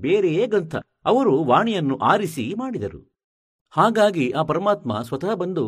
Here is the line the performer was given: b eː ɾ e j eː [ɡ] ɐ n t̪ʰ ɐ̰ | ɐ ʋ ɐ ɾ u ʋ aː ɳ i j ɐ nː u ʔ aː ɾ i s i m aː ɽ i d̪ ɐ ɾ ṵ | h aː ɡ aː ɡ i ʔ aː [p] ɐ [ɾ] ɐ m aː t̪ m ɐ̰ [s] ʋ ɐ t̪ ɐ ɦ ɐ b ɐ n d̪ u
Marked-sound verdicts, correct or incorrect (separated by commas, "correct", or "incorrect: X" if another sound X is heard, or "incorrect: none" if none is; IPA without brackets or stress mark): correct, correct, correct, correct